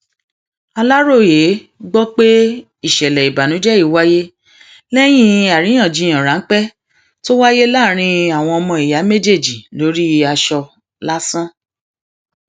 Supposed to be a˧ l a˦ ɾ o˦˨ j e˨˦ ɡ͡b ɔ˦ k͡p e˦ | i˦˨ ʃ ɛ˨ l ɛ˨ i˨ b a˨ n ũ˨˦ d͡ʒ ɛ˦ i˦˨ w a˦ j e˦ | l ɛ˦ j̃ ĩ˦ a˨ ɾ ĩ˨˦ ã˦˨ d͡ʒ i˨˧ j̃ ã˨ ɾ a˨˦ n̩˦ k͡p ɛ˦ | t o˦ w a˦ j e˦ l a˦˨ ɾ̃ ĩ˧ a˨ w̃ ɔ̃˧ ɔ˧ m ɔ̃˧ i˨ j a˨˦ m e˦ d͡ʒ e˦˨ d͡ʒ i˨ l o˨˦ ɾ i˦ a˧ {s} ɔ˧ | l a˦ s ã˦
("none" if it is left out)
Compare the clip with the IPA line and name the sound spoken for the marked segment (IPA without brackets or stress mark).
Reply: ʃ